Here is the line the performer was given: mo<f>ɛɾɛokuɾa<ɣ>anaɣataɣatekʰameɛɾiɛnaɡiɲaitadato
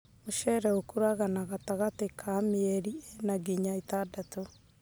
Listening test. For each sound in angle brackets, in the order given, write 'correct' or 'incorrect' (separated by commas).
incorrect, correct